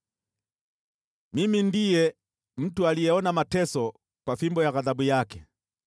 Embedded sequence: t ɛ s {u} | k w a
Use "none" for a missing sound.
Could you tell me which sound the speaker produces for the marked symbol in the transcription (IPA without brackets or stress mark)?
ɔ